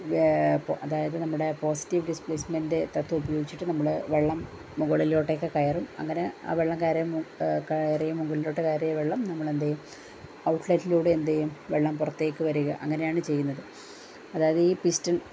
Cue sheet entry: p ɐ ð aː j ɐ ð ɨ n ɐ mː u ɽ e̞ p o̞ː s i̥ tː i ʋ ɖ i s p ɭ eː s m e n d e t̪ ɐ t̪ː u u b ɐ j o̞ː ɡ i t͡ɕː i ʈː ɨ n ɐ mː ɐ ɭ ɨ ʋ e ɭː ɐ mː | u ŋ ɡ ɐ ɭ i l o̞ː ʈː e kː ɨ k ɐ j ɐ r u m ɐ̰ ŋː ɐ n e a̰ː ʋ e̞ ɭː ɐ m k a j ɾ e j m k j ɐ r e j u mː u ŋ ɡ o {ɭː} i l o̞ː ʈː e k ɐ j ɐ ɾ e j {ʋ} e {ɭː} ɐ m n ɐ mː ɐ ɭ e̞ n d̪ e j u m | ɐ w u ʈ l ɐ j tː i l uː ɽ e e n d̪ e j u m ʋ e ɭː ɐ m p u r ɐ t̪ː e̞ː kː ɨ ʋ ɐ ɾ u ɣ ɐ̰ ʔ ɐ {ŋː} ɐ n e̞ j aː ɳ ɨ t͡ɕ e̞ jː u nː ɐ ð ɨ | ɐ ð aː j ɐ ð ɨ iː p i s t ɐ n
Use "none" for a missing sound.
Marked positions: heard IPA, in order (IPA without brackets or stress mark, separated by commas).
ɭ, ʋ, ɭː, ŋː